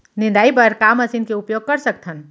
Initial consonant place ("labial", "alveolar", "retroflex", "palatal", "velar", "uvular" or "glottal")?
alveolar